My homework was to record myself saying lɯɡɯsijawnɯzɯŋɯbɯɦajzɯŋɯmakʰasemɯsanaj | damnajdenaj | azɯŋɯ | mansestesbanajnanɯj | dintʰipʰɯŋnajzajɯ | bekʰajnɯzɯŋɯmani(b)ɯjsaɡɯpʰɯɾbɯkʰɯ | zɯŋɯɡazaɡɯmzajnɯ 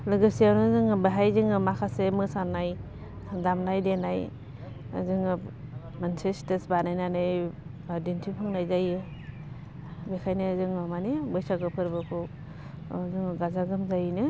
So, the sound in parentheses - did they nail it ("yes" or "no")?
yes